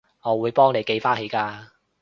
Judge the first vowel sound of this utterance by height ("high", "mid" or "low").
mid